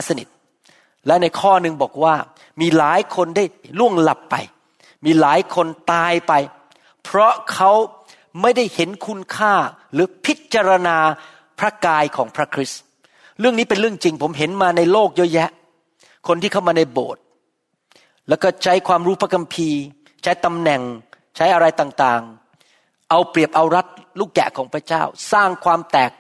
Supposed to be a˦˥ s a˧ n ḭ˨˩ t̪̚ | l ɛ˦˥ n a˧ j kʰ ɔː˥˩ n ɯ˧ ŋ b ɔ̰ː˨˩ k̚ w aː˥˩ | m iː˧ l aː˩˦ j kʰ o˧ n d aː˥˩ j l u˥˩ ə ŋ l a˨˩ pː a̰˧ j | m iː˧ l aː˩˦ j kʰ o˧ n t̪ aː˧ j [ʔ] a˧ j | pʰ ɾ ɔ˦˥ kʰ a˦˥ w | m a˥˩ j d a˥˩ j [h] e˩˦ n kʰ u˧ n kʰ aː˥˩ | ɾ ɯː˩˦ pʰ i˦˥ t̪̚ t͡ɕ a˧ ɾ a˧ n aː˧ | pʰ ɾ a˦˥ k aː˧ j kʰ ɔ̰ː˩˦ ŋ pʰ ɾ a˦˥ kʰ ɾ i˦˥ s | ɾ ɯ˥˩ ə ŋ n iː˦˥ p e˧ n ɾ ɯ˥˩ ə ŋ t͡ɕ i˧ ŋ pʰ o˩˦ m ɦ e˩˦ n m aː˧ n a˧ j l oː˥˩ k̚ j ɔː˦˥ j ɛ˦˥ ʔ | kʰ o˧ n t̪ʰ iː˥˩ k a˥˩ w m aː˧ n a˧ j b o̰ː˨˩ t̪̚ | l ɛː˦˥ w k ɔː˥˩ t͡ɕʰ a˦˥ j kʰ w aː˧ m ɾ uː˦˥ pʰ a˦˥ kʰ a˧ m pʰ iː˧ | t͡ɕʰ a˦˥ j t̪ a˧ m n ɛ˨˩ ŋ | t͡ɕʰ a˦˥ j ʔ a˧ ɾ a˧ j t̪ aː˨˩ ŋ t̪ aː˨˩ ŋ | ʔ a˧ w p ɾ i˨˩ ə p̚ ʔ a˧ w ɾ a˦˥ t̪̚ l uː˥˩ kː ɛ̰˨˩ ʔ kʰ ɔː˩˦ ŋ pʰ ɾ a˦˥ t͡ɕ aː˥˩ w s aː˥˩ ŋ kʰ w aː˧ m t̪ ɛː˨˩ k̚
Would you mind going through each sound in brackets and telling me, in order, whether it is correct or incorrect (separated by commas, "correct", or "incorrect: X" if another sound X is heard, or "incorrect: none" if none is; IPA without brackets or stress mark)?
incorrect: p, correct